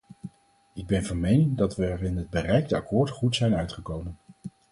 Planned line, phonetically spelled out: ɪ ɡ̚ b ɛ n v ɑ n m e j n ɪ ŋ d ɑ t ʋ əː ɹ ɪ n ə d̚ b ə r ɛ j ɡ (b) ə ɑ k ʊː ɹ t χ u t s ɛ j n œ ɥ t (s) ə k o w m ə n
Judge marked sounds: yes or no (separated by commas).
no, no